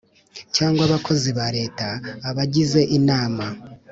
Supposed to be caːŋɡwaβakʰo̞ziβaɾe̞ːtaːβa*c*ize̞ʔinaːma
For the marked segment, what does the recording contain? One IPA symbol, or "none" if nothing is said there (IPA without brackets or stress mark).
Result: ɟ